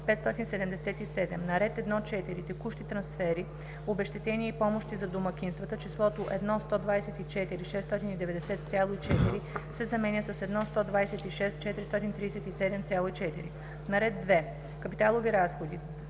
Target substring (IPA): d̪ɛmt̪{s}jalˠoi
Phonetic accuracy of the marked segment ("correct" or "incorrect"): correct